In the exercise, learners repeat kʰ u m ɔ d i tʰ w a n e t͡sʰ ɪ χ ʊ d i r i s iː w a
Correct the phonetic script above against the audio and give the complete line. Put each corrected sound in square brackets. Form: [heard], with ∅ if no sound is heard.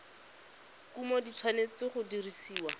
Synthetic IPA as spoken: [k] u m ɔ d i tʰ w a n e [t͡s] ɪ χ ʊ d i r i s iː w a